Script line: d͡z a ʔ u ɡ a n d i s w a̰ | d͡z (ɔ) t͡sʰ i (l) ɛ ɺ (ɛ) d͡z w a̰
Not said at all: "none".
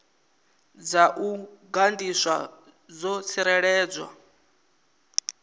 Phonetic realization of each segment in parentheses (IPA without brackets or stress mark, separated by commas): ɔ, ɾ, ɛː